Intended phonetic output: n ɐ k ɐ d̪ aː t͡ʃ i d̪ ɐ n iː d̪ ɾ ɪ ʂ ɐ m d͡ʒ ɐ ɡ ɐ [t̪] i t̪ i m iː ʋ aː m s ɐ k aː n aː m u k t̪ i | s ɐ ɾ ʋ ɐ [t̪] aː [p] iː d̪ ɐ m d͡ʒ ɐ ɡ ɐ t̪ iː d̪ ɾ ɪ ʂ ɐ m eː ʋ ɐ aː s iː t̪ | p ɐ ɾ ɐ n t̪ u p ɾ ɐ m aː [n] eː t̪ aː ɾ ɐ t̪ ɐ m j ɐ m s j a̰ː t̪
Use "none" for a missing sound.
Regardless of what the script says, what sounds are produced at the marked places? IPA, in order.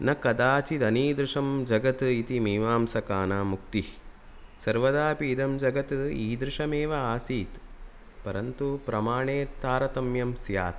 t̪, d̪, p, ɳ

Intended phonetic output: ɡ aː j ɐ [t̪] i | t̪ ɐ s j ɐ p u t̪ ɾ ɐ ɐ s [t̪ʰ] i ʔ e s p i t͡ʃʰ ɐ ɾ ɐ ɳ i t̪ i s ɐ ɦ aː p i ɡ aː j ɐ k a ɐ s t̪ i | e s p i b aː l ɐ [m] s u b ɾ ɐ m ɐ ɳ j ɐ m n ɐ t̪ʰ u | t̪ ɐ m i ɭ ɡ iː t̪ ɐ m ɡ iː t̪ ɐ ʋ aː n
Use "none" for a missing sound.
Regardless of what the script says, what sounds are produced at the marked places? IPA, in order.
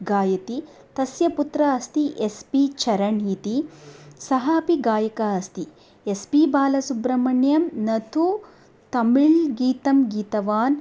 t̪, t̪, none

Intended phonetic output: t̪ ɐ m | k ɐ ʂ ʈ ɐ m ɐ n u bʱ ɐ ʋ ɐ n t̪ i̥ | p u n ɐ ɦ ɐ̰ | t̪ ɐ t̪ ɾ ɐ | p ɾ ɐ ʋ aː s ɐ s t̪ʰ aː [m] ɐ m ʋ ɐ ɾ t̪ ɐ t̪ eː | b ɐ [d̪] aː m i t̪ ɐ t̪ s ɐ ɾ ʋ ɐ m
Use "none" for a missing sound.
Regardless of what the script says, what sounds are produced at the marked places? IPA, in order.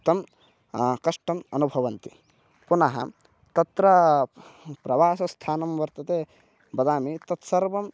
n, d̪

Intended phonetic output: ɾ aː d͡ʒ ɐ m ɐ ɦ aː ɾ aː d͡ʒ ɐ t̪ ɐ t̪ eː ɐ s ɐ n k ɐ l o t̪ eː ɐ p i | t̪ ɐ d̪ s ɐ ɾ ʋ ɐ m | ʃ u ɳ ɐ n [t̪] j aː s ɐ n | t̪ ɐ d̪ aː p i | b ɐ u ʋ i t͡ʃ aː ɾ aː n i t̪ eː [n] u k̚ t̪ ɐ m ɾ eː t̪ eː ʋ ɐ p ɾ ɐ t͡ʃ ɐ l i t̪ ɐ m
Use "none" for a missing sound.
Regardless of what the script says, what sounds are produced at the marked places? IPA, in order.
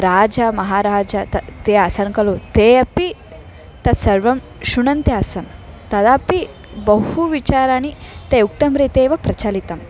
t̪, none

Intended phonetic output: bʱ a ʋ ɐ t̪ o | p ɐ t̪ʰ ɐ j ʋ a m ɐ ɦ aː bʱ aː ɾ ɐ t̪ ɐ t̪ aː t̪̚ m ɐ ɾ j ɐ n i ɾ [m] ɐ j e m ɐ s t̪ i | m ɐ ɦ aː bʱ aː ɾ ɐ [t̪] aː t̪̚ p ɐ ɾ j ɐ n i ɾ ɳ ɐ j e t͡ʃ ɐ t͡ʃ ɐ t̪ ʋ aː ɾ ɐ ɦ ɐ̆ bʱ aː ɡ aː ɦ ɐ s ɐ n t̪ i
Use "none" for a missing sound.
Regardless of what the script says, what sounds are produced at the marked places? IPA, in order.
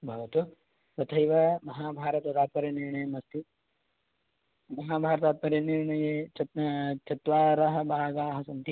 ɳ, t̪

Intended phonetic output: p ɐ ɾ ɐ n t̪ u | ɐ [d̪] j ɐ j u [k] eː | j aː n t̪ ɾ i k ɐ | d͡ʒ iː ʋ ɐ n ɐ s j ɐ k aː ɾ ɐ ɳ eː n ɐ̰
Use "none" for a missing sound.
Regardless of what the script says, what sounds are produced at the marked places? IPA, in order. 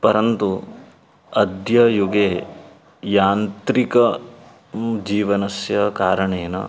d̪, ɡ

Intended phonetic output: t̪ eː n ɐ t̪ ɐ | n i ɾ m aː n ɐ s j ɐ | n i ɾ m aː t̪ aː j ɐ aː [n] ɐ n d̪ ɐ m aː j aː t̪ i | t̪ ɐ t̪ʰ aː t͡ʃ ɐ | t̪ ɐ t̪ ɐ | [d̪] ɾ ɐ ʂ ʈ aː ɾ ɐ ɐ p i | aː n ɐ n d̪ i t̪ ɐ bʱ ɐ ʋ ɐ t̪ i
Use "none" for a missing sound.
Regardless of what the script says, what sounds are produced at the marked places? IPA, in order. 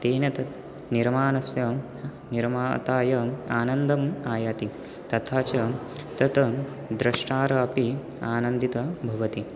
n, d̪

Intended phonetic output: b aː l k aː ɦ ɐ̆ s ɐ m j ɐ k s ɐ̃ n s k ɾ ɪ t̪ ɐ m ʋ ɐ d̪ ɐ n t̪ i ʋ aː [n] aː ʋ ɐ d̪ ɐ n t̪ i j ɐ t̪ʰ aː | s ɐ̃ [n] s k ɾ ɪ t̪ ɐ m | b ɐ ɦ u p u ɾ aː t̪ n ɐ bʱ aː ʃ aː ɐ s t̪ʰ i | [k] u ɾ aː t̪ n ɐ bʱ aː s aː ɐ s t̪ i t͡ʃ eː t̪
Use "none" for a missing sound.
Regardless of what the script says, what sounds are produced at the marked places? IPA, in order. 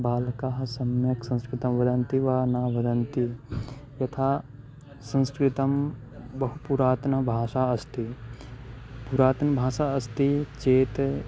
n, n, p

